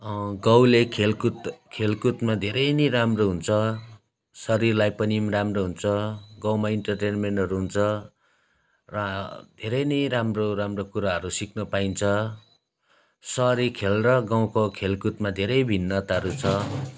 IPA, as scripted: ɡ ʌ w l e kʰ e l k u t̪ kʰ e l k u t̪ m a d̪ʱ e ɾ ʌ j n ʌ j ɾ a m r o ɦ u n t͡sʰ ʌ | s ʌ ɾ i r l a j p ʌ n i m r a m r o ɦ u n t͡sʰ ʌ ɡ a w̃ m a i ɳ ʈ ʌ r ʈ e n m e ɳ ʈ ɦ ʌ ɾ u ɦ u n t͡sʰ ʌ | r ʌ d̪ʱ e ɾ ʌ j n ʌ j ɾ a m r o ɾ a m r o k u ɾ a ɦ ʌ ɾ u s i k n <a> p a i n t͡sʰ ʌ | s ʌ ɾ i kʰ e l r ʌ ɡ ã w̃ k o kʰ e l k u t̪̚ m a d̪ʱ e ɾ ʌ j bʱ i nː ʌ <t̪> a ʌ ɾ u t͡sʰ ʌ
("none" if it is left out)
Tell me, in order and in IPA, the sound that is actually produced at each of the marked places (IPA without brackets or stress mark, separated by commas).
ʌ, t̪